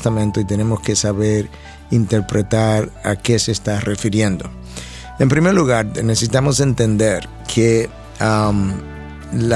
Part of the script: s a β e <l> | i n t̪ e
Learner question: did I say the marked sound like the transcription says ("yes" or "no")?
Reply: no